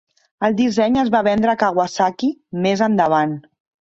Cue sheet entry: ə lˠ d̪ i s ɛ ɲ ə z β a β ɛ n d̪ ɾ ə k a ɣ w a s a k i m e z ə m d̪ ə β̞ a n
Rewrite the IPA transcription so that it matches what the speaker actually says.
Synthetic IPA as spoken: ə lˠ d̪ i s ɛ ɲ ə z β a β ɛ n d̪ ɾ ə k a ɣ w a s a k i m e z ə n d̪ ə β̞ a n